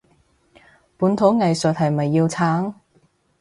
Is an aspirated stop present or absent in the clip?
present